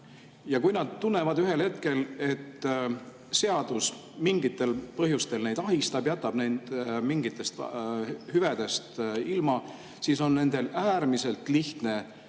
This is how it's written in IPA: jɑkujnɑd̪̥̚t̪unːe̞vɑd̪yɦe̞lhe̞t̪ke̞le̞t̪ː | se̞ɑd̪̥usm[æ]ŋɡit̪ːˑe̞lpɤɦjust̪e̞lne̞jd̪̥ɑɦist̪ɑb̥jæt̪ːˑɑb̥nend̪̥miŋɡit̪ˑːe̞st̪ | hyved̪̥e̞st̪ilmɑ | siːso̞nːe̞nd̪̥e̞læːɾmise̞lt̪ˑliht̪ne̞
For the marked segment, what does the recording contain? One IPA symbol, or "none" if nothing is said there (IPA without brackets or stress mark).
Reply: i